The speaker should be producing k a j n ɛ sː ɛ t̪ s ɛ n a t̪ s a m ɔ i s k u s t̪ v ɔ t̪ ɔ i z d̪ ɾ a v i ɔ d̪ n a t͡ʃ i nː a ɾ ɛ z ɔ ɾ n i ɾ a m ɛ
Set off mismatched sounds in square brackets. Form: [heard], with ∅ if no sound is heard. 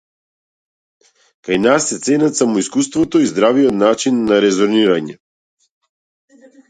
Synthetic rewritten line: k a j n [a] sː ɛ t̪ s ɛ n a t̪ s a m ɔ i s k u s t̪ v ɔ t̪ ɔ i z d̪ ɾ a v i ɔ [t̪] n a t͡ʃ i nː a ɾ ɛ z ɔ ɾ n i ɾ a [ɲ] ɛ